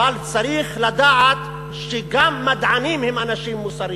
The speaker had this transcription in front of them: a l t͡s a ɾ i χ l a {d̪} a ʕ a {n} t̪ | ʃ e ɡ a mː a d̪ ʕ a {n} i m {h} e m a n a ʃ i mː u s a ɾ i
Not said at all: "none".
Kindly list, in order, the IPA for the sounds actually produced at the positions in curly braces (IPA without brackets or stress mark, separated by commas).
d̪, none, n, h